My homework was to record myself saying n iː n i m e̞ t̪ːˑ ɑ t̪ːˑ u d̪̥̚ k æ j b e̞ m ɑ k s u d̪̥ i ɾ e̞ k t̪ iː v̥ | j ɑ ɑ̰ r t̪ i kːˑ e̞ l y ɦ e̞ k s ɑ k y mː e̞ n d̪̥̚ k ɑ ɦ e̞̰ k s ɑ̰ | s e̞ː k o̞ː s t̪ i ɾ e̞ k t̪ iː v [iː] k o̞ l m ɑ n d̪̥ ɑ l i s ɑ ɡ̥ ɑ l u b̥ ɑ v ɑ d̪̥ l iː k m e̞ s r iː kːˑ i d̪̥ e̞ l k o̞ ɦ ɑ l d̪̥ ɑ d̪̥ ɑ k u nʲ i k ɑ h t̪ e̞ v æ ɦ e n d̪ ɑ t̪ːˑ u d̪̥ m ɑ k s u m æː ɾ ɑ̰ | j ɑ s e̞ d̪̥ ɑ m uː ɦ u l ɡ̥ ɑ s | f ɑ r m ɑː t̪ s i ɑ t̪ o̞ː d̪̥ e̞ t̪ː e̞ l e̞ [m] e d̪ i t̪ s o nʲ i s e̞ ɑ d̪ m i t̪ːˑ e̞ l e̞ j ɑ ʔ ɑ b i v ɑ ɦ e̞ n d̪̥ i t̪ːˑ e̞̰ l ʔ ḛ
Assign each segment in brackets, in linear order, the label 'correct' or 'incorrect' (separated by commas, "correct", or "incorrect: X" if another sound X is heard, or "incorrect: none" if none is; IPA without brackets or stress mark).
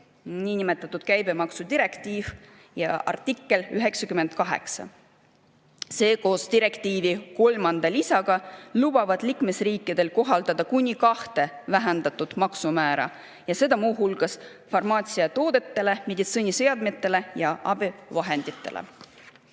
incorrect: i, correct